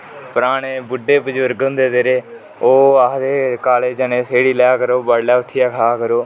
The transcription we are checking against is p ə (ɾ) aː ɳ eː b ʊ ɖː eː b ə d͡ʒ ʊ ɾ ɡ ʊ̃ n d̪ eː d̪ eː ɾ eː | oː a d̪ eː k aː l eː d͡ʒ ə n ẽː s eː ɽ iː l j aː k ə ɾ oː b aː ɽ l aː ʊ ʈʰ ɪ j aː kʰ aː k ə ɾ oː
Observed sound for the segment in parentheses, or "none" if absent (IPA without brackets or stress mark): ɾ